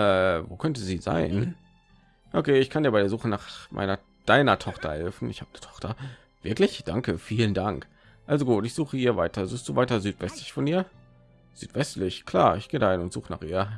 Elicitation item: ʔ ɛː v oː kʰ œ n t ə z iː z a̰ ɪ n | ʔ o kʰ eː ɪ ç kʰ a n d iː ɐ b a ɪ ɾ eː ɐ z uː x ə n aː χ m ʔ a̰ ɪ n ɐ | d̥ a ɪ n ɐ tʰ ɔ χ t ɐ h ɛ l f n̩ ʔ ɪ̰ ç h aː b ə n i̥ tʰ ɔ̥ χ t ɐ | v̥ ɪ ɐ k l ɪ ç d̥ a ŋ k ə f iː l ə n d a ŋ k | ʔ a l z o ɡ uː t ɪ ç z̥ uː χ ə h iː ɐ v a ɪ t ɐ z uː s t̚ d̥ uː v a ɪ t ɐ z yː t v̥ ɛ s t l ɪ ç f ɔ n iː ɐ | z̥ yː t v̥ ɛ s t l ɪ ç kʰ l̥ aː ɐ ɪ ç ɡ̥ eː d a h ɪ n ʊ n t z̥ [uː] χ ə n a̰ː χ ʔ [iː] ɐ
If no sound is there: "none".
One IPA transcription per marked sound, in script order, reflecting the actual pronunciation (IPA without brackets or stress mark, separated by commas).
uː, iː